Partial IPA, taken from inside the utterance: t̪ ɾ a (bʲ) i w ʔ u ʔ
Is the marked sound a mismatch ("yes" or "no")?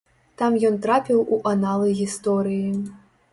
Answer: yes